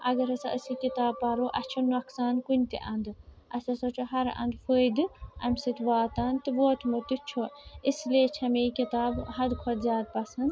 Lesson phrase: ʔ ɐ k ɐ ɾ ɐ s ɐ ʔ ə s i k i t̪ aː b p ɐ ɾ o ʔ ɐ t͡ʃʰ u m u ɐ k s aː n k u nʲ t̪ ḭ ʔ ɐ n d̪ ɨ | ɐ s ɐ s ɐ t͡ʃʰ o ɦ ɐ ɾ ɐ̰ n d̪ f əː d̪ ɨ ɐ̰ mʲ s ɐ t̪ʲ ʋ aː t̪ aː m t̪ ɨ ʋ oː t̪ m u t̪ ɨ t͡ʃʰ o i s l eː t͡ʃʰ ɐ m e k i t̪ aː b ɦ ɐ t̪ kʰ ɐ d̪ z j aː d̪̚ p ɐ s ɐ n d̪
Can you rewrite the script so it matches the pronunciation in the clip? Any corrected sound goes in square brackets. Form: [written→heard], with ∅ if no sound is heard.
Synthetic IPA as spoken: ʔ ɐ [k→ɡ] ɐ ɾ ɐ s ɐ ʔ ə s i k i t̪ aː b p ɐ ɾ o ʔ ɐ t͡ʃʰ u [m→n] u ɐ k s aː n k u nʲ t̪ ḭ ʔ ɐ n d̪ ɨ | ɐ s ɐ s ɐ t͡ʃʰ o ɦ ɐ ɾ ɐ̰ n d̪ f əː d̪ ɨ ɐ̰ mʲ s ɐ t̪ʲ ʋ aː t̪ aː [m→n] t̪ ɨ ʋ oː t̪ m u t̪ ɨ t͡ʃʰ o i s l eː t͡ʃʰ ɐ m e k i t̪ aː b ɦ ɐ [t̪→d̪] kʰ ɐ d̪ z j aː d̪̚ p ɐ s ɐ n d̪